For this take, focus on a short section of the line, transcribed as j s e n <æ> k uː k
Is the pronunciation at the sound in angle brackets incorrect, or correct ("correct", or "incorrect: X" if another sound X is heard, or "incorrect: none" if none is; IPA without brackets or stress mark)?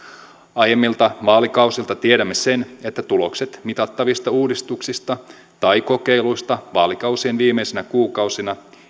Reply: correct